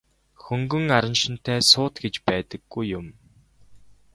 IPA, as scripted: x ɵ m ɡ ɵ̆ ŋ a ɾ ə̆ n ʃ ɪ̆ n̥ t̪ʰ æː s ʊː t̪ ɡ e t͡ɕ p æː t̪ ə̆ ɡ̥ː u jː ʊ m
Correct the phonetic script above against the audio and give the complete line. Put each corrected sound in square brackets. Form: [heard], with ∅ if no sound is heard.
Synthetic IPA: x ɵ [ŋ] ɡ ɵ̆ ŋ a ɾ ə̆ n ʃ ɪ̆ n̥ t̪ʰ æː s ʊː t̪ ɡ e t͡ɕ p æː t̪ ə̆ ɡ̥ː u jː ʊ m